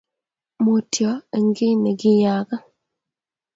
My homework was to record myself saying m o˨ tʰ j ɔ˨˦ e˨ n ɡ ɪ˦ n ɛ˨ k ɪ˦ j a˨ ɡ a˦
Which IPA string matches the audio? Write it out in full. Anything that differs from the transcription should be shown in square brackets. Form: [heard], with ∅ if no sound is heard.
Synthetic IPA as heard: m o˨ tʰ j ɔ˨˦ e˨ [ŋ] ɡ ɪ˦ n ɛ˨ [ɡ] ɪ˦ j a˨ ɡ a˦